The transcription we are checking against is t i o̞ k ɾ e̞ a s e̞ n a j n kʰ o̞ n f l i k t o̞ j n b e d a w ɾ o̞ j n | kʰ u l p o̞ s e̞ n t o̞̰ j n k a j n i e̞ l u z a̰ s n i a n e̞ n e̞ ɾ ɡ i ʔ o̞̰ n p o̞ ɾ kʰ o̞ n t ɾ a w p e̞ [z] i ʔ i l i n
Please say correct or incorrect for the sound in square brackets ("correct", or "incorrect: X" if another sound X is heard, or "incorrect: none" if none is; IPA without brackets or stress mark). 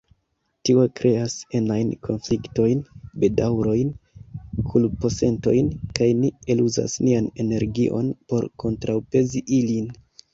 correct